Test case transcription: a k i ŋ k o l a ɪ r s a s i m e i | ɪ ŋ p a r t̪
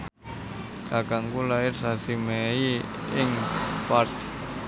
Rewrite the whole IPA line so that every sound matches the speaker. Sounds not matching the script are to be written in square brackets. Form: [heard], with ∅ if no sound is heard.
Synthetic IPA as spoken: a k [a] ŋ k [u] l a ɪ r s a s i m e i | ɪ ŋ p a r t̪